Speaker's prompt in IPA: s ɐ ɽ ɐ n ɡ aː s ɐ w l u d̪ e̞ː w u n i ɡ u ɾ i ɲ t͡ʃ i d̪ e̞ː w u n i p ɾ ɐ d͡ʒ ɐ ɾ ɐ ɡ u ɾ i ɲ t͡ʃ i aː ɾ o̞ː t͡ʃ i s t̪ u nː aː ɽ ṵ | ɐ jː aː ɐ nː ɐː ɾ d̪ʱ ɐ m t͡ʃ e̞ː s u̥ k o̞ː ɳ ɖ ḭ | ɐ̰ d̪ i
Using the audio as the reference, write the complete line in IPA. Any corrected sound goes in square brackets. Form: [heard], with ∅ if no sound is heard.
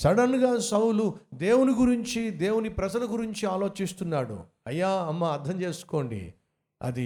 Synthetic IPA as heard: s ɐ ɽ ɐ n ɡ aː s ɐ w l u d̪ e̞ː w u n i ɡ u ɾ i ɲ t͡ʃ i d̪ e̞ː w u n i p ɾ ɐ d͡ʒ ɐ [l] ɐ ɡ u ɾ i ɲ t͡ʃ i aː [l] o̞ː t͡ʃ i s t̪ u nː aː ɽ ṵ | ɐ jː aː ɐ [mː] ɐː ɾ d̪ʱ ɐ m t͡ʃ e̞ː s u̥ k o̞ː ɳ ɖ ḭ | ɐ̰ d̪ i